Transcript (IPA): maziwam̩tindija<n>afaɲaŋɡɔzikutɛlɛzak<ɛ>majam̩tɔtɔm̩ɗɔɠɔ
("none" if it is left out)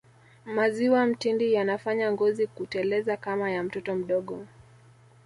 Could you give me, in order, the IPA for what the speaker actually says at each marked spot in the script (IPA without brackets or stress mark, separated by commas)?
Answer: n, a